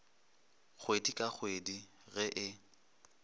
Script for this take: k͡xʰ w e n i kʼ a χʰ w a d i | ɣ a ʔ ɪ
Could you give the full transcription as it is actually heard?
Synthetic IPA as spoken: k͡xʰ w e d i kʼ a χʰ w e d i | ɣ ɛ ʔ ɪ